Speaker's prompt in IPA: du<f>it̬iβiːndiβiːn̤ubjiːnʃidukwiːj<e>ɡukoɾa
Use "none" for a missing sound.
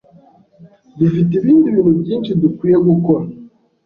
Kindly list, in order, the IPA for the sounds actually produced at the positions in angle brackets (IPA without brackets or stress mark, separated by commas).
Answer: f, e